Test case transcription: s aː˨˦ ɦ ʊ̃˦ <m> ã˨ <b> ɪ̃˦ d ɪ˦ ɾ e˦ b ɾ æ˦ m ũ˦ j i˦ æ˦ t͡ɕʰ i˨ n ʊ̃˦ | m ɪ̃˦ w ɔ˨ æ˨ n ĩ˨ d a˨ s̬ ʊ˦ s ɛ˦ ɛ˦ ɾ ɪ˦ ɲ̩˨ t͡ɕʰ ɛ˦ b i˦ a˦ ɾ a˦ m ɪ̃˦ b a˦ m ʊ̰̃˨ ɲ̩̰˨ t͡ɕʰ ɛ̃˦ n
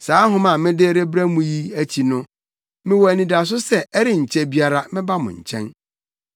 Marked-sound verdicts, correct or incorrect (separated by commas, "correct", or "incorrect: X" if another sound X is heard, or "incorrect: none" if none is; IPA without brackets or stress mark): correct, incorrect: m